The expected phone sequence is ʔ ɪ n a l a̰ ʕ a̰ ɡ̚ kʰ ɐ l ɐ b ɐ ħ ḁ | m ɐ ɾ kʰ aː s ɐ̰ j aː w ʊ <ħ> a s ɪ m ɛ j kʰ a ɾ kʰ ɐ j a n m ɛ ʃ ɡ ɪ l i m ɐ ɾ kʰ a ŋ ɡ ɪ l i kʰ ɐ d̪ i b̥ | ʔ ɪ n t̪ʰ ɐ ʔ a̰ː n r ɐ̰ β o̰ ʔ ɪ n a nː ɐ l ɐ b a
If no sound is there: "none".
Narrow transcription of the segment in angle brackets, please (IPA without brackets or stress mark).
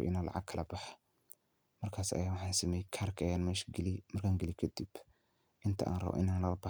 ħ